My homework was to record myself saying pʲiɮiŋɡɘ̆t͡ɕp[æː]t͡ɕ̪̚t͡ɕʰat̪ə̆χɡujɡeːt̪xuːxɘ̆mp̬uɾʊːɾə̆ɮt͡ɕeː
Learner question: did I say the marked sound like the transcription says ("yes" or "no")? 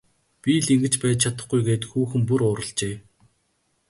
yes